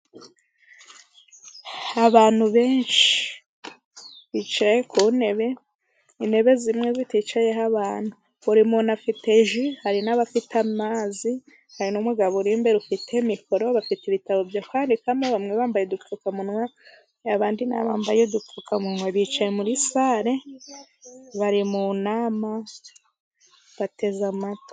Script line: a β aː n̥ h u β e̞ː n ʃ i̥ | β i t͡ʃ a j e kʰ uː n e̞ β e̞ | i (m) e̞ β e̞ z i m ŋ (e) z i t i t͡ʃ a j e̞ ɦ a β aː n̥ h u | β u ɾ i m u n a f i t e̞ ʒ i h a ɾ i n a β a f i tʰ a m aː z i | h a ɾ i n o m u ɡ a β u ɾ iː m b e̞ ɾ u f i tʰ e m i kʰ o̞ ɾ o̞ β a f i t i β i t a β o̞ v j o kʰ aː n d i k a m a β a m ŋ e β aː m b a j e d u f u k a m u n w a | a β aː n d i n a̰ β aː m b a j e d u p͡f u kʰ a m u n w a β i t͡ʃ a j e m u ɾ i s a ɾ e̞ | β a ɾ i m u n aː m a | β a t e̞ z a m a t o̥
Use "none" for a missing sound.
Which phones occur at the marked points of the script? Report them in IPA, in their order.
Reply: n, e

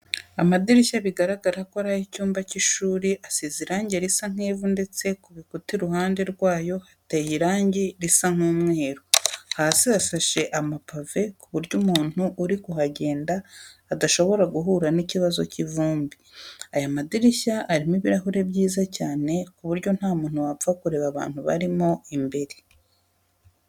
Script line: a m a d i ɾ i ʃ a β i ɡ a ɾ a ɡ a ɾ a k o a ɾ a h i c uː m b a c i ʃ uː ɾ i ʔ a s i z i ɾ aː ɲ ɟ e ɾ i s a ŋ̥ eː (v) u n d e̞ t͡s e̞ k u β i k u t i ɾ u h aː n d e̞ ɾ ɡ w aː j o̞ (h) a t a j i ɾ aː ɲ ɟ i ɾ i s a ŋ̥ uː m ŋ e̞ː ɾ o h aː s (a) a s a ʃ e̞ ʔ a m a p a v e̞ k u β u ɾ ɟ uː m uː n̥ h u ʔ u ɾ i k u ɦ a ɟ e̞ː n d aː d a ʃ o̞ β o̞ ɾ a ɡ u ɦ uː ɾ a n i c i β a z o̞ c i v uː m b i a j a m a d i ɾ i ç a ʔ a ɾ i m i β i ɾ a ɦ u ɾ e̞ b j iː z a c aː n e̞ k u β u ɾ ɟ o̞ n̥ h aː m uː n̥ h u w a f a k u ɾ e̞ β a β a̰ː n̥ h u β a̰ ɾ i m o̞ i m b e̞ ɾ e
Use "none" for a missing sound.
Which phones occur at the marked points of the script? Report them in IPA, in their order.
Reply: v, h, i

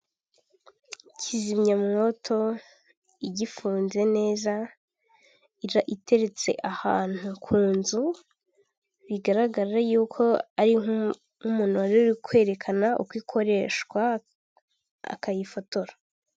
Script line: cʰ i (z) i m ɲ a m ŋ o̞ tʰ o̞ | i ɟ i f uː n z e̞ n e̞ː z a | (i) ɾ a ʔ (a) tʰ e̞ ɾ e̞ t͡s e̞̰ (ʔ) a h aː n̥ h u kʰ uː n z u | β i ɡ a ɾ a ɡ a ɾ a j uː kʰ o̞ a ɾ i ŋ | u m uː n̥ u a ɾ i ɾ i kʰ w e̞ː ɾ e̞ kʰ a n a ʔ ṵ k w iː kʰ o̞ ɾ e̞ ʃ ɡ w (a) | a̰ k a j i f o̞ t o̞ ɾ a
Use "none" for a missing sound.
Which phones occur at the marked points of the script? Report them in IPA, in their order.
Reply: z, i, i, ʔ, a

